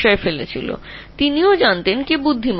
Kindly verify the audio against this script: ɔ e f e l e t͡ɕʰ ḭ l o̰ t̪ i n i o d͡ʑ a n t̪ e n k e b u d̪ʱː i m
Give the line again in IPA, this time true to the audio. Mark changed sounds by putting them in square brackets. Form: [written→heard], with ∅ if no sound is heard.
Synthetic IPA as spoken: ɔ e f e l e t͡ɕʰ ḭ l o̰ t̪ i n i o d͡ʑ a n t̪ e n k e b u d̪ʱː i m